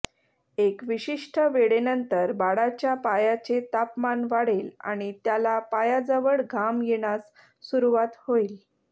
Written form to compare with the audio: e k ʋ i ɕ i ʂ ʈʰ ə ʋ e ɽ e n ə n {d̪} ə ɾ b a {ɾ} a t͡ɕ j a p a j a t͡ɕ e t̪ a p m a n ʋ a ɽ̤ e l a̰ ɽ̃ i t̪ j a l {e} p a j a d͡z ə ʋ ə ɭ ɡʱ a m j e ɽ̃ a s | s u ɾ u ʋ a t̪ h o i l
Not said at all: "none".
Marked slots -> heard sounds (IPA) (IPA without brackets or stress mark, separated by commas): t̪, ɽ, a